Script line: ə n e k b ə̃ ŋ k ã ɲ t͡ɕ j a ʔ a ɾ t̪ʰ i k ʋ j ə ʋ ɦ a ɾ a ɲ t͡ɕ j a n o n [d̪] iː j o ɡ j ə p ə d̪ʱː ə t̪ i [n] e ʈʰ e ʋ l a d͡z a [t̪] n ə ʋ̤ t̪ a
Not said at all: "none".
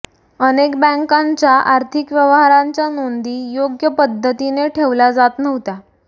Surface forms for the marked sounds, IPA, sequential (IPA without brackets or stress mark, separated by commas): d̪, n, t̪